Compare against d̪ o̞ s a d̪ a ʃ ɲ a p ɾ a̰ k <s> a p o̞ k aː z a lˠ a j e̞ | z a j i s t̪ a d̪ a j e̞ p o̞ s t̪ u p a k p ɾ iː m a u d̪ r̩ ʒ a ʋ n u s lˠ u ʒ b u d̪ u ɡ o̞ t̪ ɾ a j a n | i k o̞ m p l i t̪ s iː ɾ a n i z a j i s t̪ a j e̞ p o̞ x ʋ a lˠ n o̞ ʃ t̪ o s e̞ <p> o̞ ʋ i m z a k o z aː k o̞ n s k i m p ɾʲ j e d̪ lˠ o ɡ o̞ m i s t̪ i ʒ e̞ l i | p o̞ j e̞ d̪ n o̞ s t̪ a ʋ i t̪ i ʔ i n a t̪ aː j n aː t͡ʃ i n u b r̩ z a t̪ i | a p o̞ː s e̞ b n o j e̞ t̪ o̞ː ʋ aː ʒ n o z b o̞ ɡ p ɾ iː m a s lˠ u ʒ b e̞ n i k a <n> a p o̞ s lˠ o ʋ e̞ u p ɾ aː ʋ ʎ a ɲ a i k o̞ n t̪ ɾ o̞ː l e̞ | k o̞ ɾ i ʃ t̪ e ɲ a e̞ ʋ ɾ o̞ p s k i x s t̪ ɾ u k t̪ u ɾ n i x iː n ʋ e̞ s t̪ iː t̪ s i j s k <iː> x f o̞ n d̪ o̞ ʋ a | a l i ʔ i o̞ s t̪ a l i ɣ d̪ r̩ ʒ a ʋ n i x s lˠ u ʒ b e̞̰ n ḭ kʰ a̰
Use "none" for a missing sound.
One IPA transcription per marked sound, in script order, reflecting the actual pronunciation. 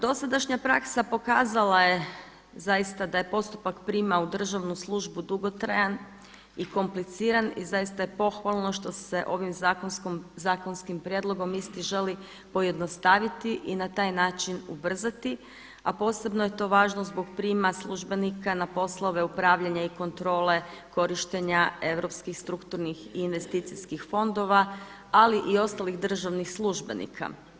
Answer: s, ʔ, n, i

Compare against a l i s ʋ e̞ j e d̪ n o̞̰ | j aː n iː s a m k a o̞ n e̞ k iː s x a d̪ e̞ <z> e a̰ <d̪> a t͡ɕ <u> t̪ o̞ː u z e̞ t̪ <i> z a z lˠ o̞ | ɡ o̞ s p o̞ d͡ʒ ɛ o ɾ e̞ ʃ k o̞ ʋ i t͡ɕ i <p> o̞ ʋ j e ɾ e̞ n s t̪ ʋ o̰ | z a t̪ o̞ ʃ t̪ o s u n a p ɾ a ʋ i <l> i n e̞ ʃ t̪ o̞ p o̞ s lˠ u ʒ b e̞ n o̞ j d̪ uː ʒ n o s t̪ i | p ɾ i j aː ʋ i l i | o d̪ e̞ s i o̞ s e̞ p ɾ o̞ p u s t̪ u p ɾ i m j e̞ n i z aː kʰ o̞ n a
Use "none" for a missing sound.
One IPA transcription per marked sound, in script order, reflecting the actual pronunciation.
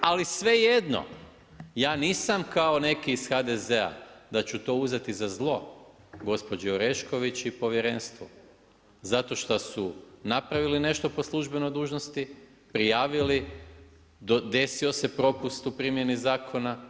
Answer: z, d̪, u, i, p, l

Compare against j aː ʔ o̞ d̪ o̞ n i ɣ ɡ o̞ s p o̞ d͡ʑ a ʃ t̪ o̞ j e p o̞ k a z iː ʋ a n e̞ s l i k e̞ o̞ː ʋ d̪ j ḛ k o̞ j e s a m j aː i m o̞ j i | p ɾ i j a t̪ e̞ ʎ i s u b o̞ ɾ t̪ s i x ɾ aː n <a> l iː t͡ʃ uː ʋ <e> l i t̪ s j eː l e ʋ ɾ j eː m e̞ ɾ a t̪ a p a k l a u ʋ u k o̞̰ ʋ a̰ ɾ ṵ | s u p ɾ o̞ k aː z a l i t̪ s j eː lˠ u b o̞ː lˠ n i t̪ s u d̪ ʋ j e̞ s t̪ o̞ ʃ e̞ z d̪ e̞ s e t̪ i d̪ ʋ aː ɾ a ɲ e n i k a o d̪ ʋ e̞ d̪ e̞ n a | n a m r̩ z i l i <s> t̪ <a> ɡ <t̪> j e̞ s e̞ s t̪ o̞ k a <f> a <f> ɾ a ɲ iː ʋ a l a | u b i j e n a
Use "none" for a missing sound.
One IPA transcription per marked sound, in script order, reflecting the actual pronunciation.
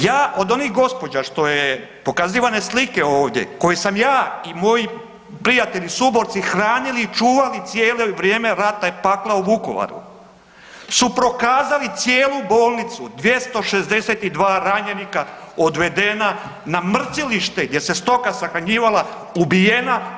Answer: i, a, ʃ, e, d̪, s, x

